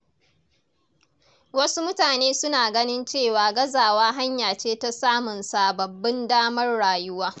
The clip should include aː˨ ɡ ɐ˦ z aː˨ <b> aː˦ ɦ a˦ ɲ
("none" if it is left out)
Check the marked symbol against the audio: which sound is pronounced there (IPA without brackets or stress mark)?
w